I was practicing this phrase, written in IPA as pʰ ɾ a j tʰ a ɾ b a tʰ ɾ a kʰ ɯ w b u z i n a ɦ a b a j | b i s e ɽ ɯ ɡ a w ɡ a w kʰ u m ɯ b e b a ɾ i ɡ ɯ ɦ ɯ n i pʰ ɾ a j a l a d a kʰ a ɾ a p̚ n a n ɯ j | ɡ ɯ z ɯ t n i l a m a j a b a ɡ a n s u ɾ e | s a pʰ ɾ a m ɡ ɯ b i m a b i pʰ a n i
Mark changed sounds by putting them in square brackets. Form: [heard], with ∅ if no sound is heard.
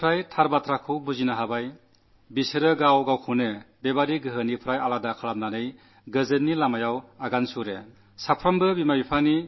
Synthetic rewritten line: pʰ ɾ a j tʰ a ɾ b a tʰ ɾ a kʰ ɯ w b u z i n a ɦ a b a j | b i s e [ɾ] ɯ ɡ a w ɡ a w kʰ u [n] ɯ b e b a ɾ i ɡ ɯ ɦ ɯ n i pʰ ɾ a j a l a d a kʰ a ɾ a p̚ n a n ɯ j | ɡ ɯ z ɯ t n i l a m a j a [w] a ɡ a n s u ɾ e | s a pʰ ɾ a m [b] ɯ b i m a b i pʰ a n i